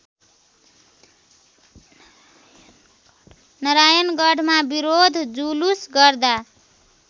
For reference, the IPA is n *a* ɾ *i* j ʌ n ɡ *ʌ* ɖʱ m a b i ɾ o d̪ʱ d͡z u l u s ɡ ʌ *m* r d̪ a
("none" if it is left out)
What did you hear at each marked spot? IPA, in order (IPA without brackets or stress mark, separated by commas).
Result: ʌ, a, ʌ, none